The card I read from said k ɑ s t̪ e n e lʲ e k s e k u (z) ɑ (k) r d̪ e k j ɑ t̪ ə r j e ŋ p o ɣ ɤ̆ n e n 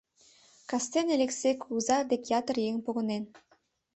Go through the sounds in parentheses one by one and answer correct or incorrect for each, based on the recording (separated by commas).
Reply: correct, incorrect